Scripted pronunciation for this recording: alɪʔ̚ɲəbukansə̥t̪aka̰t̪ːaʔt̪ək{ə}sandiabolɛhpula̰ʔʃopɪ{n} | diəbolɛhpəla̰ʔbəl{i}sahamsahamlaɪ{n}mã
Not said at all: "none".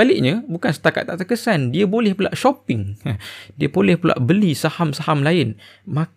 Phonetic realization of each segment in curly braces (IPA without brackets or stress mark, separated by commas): ə, ŋ, i, n